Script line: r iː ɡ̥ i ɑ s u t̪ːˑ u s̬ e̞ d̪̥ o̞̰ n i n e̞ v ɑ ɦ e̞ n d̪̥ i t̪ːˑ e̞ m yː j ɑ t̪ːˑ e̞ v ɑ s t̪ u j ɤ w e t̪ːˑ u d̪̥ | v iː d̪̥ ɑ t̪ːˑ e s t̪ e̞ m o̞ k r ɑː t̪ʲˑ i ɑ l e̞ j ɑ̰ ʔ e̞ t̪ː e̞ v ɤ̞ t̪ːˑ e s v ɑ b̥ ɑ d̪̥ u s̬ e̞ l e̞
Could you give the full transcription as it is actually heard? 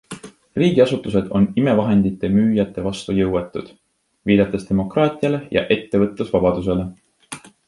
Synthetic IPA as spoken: r iː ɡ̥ i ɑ s u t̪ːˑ u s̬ e̞ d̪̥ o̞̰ n i m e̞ v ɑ ɦ e̞ n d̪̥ i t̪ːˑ e̞ m yː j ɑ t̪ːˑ e̞ v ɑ s t̪ u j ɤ w e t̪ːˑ u d̪̥ | v iː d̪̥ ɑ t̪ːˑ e s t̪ e̞ m o̞ k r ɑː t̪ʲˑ i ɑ l e̞ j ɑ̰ ʔ e̞ t̪ː e̞ v ɤ̞ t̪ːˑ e s v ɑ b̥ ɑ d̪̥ u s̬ e̞ l e̞